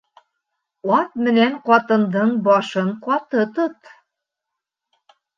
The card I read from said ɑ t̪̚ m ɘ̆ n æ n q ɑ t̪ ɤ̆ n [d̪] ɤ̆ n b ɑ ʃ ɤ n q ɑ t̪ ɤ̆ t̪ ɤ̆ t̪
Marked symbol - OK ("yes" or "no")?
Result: yes